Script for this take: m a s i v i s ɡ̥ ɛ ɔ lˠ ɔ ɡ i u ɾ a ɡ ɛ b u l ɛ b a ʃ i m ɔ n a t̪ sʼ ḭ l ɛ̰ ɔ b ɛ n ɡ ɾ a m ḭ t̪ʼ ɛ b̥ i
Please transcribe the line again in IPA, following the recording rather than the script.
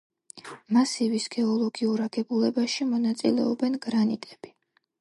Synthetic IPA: m a s i v i s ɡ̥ ɛ ɔ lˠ ɔ ɡ i u ɾ a ɡ ɛ b u l ɛ b a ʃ i m ɔ n a t̪ sʼ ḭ l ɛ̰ ɔ b ɛ n ɡ ɾ a n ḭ t̪ʼ ɛ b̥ i